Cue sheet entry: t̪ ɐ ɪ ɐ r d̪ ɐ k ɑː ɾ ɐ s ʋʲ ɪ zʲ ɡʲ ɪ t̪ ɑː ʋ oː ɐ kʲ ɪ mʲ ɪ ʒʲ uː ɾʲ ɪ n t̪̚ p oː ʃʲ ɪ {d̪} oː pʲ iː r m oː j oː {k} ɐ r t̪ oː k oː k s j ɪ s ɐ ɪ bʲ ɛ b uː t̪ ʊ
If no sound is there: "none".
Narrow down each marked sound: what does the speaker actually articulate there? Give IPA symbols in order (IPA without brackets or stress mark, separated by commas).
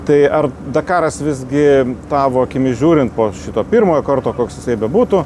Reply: t̪, k